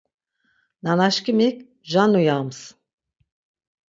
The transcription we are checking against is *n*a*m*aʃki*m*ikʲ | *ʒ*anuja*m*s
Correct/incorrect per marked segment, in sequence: correct, incorrect: n, correct, correct, correct

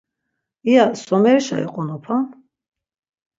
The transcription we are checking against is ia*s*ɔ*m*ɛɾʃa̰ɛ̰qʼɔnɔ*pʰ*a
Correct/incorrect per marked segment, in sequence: correct, correct, correct

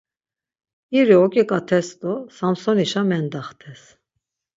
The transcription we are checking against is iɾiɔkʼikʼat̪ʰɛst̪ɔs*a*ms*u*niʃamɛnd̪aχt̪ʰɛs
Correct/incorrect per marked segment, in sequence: correct, incorrect: ɔ

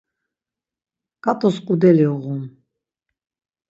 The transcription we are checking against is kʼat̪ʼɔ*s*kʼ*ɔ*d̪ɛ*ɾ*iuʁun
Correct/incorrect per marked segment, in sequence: correct, incorrect: u, incorrect: l

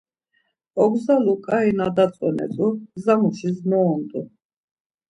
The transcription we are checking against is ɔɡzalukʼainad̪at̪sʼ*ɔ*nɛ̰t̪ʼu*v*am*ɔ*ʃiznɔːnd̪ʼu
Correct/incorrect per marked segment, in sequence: correct, incorrect: z, incorrect: u

